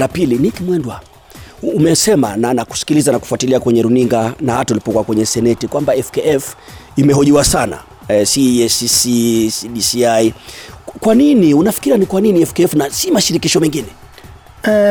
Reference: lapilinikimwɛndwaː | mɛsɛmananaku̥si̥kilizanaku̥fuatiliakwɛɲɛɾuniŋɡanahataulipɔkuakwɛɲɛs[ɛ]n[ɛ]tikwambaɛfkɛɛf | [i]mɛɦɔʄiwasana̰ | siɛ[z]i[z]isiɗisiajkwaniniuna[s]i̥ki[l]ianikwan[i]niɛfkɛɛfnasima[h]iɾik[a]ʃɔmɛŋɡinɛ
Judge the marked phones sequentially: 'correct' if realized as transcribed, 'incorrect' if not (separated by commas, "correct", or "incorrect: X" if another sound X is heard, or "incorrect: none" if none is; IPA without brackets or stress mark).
correct, correct, correct, incorrect: s, incorrect: s, incorrect: f, incorrect: ɾ, correct, incorrect: ʃ, incorrect: i